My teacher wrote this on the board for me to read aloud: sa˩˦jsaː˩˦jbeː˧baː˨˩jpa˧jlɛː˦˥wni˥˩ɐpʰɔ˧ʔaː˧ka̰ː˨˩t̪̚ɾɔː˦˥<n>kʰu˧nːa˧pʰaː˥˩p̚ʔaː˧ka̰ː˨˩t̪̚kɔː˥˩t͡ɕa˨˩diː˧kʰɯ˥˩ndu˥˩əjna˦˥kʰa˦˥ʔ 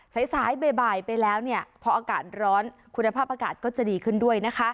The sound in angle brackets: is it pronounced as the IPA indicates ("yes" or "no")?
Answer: yes